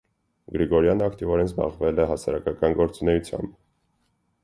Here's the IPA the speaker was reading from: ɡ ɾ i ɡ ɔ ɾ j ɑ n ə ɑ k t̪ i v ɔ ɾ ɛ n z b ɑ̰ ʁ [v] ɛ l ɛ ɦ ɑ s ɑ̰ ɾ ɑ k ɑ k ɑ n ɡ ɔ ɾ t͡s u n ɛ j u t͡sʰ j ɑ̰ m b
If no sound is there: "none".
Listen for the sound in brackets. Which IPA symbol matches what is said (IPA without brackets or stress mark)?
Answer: v